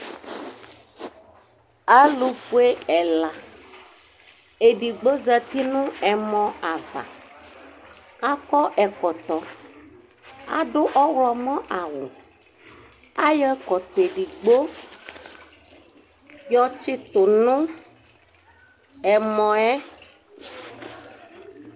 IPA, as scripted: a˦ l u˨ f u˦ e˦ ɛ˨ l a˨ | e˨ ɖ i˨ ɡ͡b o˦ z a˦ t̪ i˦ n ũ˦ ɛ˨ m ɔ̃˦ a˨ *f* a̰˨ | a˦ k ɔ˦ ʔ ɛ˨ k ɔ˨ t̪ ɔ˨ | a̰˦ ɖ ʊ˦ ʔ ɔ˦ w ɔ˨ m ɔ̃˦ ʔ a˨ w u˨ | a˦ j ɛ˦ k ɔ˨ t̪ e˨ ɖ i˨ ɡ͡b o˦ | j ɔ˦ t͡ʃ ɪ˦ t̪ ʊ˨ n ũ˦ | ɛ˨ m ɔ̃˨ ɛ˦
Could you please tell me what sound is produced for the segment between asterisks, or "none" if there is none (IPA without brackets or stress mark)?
v